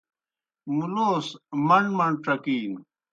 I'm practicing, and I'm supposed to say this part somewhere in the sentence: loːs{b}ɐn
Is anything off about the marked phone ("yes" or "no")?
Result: yes